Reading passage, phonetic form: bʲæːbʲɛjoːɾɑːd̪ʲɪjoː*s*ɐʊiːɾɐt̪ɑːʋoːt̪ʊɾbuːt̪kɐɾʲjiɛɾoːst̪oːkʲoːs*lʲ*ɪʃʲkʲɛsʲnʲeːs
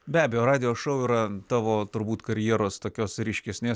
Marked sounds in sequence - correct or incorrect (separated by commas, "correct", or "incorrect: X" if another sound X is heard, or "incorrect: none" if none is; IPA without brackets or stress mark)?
incorrect: ʃ, incorrect: ɾʲ